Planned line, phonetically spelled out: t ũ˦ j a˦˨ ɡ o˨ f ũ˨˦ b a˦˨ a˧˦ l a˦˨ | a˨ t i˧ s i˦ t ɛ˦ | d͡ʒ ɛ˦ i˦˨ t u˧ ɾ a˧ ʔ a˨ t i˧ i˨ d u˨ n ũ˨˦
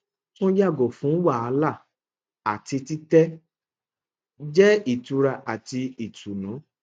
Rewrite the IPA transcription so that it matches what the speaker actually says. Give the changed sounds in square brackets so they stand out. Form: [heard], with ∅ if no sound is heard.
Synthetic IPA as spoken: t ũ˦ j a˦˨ ɡ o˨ f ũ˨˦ [w] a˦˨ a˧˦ l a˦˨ | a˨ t i˧ [t] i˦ t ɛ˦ | d͡ʒ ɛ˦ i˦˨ t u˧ ɾ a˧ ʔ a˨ t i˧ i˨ [t] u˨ n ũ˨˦